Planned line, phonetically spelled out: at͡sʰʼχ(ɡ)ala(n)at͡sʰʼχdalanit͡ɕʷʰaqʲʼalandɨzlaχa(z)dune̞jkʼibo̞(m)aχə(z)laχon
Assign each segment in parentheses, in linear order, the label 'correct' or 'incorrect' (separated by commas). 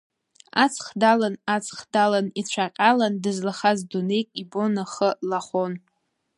incorrect, correct, correct, incorrect, incorrect